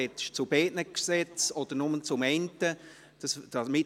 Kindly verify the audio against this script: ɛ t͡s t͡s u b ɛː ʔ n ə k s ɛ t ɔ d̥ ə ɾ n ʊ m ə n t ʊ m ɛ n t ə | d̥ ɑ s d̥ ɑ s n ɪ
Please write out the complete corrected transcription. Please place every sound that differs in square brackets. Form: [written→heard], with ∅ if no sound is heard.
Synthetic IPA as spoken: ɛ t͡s t͡s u b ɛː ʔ n ə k s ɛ [t→t͡s] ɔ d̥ ə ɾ n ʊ m ə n [t→t͡s] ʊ m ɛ n t ə | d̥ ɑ s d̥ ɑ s [n→m] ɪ